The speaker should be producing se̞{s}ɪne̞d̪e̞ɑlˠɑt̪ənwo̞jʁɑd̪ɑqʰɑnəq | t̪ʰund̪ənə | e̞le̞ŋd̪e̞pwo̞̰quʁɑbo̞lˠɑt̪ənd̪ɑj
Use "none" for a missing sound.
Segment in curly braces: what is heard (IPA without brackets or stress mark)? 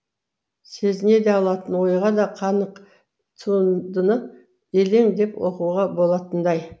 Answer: z